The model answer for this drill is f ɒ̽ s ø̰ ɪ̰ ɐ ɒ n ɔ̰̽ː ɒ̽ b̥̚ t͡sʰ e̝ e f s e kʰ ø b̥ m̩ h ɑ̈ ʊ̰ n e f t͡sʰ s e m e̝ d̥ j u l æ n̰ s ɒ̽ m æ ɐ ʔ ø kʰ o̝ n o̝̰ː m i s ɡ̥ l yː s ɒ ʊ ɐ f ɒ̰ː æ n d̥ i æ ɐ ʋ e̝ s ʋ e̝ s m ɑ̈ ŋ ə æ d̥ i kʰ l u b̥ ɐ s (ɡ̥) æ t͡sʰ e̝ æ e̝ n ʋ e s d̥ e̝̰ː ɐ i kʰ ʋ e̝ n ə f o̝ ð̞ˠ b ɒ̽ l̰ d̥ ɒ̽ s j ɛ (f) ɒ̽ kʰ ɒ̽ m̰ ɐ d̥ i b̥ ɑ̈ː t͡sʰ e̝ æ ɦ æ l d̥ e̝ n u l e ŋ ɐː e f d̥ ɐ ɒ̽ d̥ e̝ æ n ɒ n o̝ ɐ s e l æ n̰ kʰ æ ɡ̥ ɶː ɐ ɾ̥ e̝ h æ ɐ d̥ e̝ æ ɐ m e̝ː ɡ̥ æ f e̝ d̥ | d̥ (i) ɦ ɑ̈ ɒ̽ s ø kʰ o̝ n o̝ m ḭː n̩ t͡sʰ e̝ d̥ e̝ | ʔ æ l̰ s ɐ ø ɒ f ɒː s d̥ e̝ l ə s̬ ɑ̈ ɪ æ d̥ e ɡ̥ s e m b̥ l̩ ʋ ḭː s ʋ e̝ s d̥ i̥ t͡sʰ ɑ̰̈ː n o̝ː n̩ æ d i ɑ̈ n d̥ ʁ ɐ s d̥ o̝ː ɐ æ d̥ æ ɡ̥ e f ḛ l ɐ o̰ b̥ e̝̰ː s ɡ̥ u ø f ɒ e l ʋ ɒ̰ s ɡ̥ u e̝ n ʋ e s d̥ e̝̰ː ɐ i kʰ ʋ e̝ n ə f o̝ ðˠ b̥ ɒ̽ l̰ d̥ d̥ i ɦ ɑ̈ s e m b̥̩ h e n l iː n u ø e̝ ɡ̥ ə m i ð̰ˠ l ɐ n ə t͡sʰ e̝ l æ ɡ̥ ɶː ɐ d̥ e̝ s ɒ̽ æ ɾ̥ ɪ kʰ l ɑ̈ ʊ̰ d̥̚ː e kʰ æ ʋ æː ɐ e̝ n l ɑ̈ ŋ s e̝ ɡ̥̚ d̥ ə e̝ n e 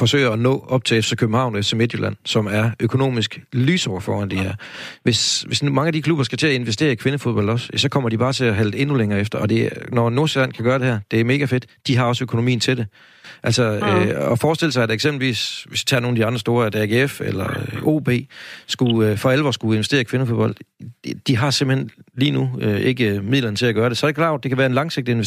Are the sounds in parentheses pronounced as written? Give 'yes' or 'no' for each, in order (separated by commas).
yes, no, yes